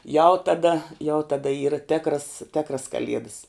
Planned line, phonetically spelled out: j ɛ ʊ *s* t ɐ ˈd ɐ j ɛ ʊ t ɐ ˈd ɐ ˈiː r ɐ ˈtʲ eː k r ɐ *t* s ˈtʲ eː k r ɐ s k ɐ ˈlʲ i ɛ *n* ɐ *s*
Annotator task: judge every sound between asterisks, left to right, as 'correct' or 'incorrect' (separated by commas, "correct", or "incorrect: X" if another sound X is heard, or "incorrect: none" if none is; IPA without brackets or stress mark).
incorrect: none, incorrect: none, incorrect: d, correct